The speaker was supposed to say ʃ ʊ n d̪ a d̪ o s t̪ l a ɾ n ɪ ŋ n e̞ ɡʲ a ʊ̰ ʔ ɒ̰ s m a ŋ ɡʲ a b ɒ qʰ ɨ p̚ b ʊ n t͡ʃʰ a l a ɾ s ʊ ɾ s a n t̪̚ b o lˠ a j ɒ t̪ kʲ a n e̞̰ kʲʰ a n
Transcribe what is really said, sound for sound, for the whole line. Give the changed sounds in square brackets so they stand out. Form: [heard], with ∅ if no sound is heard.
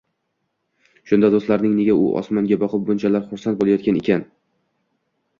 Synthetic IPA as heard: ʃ ʊ n d̪ a d̪ o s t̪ l a ɾ n ɪ ŋ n e̞ ɡʲ a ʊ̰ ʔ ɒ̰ s m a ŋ ɡʲ a b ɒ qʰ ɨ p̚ b ʊ n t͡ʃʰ a l a ɾ [χ] ʊ ɾ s a n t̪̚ b o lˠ a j ɒ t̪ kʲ a n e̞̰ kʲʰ a n